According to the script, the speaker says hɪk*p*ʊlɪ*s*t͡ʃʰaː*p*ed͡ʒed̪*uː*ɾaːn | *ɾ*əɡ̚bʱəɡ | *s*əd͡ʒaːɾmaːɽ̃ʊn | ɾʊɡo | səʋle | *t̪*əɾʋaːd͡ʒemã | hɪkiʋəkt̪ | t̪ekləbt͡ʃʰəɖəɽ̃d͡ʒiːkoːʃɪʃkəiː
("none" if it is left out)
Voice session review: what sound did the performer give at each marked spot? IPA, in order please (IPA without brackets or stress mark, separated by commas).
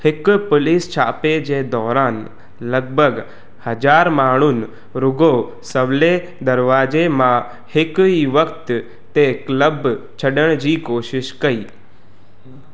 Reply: p, s, p, ɔː, l, h, d̪